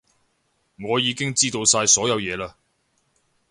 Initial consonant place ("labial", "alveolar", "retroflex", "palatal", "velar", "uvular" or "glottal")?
velar